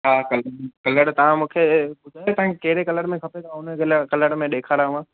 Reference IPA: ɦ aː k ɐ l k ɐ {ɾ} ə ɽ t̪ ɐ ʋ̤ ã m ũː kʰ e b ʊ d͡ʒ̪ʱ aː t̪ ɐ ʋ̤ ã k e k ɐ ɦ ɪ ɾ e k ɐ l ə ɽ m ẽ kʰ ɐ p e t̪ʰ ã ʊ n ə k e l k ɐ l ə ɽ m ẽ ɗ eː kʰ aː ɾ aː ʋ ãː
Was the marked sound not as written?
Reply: yes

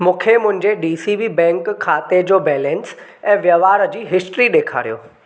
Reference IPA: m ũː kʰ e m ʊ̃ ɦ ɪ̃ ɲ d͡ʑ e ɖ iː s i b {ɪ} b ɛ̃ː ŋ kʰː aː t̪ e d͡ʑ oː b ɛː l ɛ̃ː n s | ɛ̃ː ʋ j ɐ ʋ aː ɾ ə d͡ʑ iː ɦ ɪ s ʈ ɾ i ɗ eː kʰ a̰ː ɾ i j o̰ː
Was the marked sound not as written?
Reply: yes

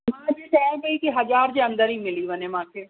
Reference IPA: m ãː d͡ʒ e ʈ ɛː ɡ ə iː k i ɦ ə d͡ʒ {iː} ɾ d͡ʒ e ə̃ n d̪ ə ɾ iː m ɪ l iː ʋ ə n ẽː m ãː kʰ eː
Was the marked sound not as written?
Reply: yes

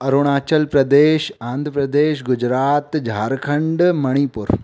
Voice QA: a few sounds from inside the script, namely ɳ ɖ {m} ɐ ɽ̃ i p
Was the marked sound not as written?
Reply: no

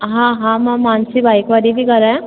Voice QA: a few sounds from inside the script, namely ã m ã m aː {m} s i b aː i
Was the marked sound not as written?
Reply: yes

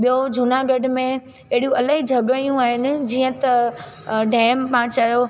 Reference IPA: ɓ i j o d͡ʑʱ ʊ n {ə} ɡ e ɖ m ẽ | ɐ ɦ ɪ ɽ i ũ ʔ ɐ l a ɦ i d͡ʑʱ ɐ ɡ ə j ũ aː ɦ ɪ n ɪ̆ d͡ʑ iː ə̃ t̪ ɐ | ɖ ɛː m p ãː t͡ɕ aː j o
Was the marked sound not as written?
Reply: yes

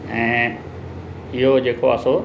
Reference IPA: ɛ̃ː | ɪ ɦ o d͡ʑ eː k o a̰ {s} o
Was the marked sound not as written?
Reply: no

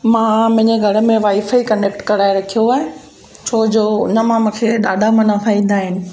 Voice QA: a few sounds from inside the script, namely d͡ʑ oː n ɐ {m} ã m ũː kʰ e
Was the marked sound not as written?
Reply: no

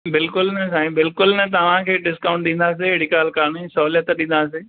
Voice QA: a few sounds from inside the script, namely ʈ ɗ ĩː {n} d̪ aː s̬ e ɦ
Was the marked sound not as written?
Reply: no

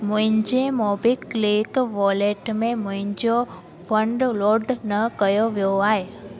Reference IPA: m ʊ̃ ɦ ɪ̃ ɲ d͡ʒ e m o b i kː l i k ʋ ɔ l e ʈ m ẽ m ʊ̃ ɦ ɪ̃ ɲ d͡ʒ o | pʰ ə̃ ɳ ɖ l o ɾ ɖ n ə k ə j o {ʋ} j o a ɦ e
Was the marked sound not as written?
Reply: no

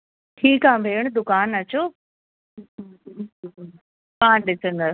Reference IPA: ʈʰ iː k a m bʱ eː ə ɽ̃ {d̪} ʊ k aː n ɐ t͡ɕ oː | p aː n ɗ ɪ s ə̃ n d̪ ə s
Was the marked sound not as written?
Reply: no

